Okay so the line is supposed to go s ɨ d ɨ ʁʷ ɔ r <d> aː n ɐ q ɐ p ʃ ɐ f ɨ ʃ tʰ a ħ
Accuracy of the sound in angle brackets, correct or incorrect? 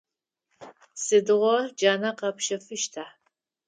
incorrect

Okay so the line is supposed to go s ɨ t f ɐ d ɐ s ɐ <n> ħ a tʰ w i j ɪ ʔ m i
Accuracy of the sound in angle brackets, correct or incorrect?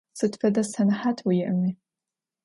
correct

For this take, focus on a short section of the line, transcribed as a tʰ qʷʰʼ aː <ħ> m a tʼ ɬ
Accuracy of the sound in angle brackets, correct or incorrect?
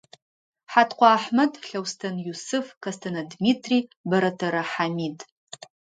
correct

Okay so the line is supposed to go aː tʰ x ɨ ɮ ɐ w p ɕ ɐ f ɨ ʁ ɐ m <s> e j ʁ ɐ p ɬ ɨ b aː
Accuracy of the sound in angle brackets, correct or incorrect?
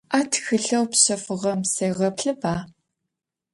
correct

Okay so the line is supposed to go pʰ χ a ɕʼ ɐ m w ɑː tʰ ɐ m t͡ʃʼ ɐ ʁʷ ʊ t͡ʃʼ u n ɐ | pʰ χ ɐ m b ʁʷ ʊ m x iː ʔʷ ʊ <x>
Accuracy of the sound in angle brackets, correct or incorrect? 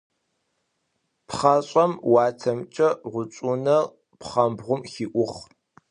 incorrect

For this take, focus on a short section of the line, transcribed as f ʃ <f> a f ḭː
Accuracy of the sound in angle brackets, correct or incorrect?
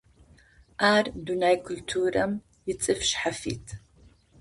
incorrect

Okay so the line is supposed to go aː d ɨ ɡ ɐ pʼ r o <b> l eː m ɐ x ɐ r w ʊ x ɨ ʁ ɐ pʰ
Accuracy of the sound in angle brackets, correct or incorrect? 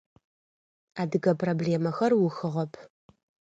correct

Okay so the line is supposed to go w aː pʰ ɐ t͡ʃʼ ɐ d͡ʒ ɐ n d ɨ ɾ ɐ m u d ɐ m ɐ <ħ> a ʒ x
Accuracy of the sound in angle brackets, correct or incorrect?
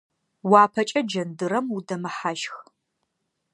correct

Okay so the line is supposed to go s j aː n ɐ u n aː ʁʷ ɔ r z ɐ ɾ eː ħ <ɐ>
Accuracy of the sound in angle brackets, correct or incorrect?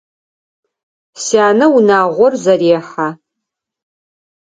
incorrect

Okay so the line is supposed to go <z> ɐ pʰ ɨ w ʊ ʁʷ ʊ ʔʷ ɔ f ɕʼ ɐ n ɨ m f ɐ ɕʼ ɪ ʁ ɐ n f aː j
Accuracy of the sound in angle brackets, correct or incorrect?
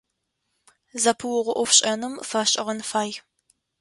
correct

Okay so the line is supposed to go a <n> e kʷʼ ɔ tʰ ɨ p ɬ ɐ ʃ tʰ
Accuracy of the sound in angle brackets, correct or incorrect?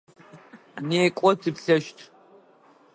correct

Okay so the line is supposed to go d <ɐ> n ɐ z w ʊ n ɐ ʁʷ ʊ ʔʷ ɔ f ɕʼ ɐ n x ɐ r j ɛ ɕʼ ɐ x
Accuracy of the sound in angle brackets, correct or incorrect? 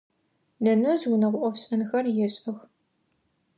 correct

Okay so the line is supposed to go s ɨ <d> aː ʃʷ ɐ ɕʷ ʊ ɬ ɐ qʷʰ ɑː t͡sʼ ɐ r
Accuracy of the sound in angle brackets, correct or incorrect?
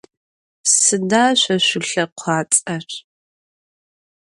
correct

